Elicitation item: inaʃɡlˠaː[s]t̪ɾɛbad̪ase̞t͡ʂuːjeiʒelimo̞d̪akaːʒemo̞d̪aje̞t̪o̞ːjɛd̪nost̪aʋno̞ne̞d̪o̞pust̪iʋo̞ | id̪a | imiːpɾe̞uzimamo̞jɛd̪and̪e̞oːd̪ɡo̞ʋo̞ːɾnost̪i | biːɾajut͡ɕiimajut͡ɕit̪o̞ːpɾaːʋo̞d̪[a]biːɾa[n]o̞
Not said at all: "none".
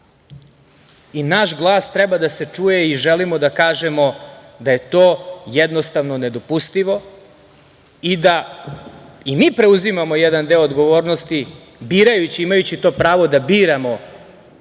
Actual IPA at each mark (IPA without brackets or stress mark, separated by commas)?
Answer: s, a, m